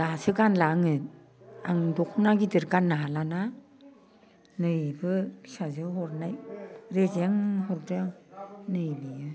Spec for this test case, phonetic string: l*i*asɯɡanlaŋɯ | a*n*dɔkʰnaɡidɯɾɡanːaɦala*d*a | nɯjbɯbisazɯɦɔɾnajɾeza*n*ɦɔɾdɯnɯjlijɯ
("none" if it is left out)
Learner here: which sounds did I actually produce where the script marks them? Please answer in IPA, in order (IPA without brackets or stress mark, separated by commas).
a, ŋ, n, ŋ